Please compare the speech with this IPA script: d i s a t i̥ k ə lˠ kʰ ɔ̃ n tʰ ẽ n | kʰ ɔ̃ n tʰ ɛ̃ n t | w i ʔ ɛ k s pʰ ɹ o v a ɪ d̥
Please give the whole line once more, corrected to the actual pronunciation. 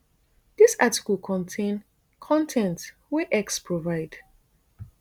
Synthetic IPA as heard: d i s a t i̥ k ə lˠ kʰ ɔ̃ n tʰ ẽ n | kʰ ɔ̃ n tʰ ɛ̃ n t | w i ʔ ɛ k s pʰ ɹ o v a ɪ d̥